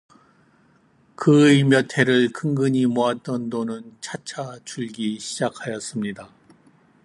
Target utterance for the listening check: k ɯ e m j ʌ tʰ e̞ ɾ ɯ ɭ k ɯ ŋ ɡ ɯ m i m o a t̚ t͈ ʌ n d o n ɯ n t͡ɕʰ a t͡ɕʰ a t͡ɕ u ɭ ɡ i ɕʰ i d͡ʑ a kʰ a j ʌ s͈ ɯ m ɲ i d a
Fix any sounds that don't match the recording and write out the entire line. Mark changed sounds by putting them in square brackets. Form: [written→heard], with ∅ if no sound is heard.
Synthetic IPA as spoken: k ɯ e m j ʌ tʰ e̞ ɾ ɯ ɭ k ɯ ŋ ɡ ɯ [m→ɲ] i m o a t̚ t͈ ʌ n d o n ɯ n t͡ɕʰ a t͡ɕʰ a t͡ɕ u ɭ ɡ i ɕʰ i d͡ʑ a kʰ a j ʌ s͈ ɯ m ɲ i d a